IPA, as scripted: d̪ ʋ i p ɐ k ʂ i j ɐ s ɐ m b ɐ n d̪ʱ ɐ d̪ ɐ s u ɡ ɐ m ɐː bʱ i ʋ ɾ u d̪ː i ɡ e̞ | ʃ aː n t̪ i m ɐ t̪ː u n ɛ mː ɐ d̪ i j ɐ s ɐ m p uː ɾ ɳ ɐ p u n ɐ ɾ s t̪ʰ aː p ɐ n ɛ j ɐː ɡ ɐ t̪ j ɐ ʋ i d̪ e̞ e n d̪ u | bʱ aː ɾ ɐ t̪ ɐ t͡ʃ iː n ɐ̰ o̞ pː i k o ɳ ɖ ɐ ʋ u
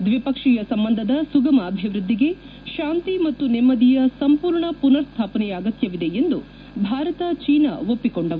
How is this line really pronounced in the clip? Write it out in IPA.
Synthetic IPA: d̪ ʋ i p ɐ k ʂ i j ɐ s ɐ m b ɐ n d̪ʱ ɐ d̪ ɐ s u ɡ ɐ m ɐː bʱ i ʋ ɾ u d̪ː i ɡ e̞ | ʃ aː n t̪ i m ɐ t̪ː u n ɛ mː ɐ d̪ i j ɐ s ɐ m p uː ɾ ɳ ɐ p u n ɐ ɾ s t̪ʰ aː p ɐ n ɛ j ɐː ɡ ɐ t̪ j ɐ ʋ i d̪ e̞ e n d̪ u | bʱ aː ɾ ɐ t̪ ɐ t͡ʃ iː n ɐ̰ o̞ pː i k o ɳ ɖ ɐ ʋ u